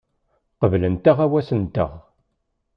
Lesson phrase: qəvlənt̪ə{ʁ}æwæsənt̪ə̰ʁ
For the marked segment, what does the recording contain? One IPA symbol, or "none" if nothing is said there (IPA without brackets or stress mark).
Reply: ʁ